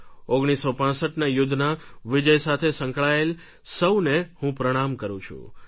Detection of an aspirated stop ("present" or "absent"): present